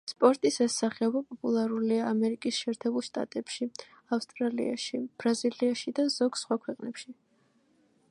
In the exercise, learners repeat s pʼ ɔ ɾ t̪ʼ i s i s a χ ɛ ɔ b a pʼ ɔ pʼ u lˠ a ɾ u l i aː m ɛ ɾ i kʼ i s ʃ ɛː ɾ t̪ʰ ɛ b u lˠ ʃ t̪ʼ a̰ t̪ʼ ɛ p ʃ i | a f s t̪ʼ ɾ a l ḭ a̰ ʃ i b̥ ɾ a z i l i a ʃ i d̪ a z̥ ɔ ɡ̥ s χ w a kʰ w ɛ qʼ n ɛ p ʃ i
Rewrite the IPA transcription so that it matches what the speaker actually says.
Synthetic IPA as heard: s pʼ ɔ ɾ t̪ʼ i s ɛ s a χ ɛ ɔ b a pʼ ɔ pʼ u lˠ a ɾ u l i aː m ɛ ɾ i kʼ i s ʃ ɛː ɾ t̪ʰ ɛ b u lˠ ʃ t̪ʼ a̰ t̪ʼ ɛ p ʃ i | a f s t̪ʼ ɾ a l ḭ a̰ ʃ i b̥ ɾ a z i l i a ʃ i d̪ a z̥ ɔ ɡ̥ s χ w a kʰ w ɛ qʼ n ɛ p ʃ i